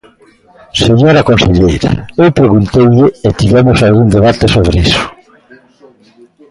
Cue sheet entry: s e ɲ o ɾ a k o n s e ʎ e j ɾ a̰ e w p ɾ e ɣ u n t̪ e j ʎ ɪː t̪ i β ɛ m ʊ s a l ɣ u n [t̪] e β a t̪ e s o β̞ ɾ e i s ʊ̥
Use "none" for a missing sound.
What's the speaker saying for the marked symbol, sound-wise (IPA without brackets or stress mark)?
d̪